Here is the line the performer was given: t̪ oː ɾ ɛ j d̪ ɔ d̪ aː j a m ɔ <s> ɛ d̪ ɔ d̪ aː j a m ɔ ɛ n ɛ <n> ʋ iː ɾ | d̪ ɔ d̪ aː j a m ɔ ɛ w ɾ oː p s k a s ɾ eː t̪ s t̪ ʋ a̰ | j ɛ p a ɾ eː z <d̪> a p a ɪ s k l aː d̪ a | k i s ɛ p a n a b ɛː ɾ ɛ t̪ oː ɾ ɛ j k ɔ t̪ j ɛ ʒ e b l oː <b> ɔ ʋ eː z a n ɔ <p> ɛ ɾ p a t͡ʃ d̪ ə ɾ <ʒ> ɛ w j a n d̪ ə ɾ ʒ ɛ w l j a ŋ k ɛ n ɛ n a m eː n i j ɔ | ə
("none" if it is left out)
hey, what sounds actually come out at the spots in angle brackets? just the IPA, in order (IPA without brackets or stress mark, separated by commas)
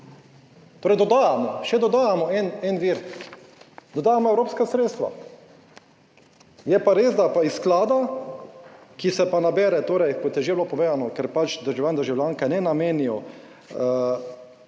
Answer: ʃ, n, d̪, p, k, ʒ